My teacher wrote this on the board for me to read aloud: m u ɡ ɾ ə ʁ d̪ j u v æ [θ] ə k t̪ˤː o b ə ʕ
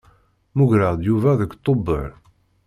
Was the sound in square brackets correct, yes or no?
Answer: no